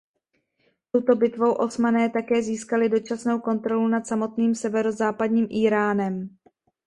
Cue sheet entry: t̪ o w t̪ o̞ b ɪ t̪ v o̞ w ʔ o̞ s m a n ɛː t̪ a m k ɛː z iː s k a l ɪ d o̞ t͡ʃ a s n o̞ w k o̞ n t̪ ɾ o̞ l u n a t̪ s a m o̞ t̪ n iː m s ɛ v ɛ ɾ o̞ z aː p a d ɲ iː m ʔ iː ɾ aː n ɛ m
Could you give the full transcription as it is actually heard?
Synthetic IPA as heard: t̪ o w t̪ o̞ b ɪ t̪ v o̞ w ʔ o̞ s m a n ɛː t̪ a k ɛː z iː s k a l ɪ d o̞ t͡ʃ a s n o̞ w k o̞ n t̪ ɾ o̞ l u n a t̪ s a m o̞ t̪ n iː m s ɛ v ɛ ɾ o̞ z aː p a d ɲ iː m ʔ iː ɾ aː n ɛ m